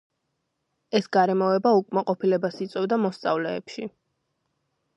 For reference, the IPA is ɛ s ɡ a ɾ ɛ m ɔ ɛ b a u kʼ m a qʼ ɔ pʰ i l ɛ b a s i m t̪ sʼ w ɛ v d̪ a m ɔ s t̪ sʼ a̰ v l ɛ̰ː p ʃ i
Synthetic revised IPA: ɛ s ɡ a ɾ ɛ m ɔ ɛ b a u kʼ m a qʼ ɔ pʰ i l ɛ b a s i t̪ sʼ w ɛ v d̪ a m ɔ s t̪ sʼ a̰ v l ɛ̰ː p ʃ i